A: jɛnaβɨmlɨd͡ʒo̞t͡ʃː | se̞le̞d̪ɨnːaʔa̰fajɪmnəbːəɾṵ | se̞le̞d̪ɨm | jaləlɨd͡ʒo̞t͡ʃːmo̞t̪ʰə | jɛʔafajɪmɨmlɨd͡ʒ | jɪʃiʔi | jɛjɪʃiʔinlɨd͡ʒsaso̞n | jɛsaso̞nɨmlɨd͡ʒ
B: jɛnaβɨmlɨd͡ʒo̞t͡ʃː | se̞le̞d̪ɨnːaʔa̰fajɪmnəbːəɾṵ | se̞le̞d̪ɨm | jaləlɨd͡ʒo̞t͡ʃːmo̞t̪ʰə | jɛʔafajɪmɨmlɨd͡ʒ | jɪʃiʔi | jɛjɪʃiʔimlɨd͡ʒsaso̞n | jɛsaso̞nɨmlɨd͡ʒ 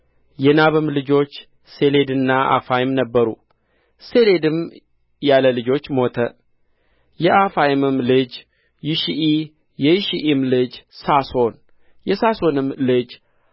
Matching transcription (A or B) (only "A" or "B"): B